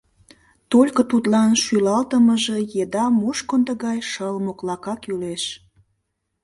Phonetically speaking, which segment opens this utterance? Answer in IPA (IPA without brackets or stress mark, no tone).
t̪